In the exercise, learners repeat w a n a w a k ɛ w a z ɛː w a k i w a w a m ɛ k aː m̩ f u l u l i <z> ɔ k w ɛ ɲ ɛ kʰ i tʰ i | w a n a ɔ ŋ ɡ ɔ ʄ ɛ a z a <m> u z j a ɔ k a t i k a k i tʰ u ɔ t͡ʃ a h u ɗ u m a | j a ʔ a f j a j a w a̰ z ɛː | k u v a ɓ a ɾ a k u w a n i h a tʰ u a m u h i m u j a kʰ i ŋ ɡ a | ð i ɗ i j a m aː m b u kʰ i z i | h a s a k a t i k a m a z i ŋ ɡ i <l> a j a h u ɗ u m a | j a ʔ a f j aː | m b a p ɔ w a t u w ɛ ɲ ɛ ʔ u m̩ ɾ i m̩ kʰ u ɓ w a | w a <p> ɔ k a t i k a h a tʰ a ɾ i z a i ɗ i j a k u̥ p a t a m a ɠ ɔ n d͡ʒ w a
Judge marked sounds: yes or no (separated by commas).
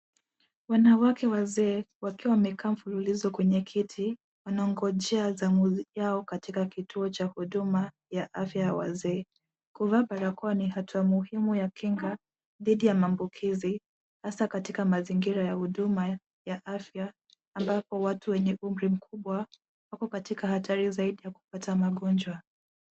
yes, yes, no, no